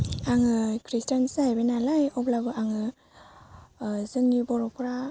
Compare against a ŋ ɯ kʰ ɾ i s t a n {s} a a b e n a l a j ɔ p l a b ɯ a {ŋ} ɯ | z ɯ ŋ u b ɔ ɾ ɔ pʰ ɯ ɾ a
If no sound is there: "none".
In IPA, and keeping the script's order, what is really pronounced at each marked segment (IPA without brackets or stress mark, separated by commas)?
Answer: s, ŋ